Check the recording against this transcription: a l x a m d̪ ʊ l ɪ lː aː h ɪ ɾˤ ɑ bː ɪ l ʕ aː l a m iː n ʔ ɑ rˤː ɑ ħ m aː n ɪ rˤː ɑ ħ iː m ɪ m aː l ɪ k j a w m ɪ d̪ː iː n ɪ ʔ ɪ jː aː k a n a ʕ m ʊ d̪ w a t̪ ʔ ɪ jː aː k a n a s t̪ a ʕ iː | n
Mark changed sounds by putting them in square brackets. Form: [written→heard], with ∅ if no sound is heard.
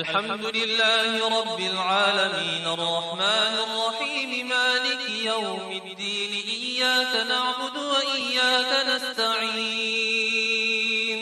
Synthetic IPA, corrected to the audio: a l [x→ħ] a m d̪ ʊ l ɪ lː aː h ɪ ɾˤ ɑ bː ɪ l ʕ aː l a m iː n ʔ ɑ rˤː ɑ ħ m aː n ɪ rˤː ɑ ħ iː m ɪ m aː l ɪ k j a w m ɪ d̪ː iː n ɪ ʔ ɪ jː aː k a n a ʕ [m→b] ʊ d̪ w a [t̪→∅] ʔ ɪ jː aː k a n a s t̪ a ʕ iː | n